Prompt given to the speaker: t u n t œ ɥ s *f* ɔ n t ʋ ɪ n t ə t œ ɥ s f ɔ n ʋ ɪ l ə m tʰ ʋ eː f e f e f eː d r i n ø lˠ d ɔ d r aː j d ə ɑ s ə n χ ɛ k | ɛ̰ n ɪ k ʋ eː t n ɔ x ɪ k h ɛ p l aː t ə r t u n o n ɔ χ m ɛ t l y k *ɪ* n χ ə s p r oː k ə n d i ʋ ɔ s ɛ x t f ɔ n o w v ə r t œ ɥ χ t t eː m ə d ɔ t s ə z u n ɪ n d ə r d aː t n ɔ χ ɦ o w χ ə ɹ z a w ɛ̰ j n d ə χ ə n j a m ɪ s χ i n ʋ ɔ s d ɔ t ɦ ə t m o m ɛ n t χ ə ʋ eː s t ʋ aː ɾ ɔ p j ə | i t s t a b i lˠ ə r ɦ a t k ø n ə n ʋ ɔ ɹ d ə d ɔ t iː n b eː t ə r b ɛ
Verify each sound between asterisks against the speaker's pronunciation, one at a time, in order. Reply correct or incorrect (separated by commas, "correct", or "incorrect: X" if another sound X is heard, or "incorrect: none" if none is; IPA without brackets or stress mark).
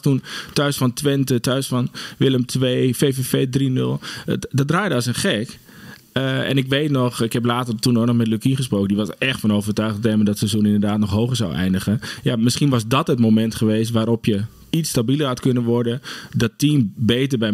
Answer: correct, incorrect: i